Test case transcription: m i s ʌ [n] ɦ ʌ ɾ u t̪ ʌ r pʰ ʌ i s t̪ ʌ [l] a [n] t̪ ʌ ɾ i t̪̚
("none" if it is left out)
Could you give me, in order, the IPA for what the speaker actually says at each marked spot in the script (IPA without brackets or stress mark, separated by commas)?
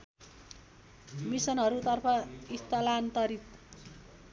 n, l, n